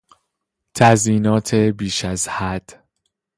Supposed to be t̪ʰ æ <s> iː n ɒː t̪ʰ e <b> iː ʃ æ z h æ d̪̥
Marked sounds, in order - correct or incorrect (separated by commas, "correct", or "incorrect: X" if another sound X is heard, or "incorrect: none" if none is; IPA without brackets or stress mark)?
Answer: incorrect: z, correct